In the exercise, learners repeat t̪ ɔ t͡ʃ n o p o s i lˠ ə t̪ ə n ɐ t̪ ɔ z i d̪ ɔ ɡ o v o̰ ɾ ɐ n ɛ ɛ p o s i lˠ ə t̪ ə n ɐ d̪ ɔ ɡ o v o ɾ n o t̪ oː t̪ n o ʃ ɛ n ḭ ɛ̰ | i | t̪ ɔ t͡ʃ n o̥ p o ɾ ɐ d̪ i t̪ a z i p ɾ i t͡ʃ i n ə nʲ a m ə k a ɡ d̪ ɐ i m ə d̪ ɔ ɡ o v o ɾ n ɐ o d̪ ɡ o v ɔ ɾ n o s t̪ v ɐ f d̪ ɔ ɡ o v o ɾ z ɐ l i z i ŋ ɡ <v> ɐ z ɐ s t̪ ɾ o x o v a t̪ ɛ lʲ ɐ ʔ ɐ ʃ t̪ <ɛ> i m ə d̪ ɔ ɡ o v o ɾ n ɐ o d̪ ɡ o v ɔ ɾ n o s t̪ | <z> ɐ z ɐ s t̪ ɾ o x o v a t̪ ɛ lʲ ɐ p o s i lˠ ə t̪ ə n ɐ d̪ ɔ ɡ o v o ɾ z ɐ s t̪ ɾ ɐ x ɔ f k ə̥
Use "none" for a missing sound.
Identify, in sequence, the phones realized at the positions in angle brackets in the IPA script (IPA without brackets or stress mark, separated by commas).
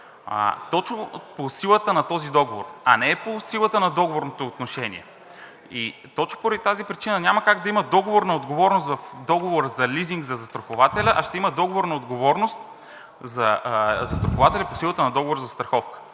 z, ɛ, z